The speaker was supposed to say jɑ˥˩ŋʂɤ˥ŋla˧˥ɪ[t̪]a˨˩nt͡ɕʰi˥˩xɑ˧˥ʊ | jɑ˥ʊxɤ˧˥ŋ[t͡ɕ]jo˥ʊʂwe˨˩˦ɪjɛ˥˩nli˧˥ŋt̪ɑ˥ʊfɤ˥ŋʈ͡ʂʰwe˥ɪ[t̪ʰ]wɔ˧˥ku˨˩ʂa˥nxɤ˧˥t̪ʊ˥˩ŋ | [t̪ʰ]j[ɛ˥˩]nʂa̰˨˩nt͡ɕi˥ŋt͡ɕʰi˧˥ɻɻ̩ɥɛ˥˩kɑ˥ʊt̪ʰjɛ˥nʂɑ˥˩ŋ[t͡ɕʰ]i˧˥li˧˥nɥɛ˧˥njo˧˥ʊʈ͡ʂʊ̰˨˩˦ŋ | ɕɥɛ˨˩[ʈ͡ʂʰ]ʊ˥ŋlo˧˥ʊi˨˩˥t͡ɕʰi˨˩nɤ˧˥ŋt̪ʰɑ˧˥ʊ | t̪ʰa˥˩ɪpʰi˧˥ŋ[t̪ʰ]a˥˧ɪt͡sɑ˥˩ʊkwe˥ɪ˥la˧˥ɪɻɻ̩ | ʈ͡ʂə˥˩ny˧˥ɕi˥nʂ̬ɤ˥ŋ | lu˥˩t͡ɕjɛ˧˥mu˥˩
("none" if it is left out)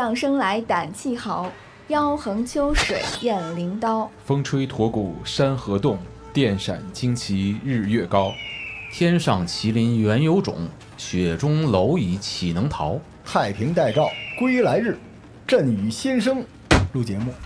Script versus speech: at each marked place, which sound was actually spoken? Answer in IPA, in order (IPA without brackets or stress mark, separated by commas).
t̪, t͡ɕʰ, t̪ʰ, t̪, ɛ˥˩, t͡ɕʰ, ʈ͡ʂ, t̪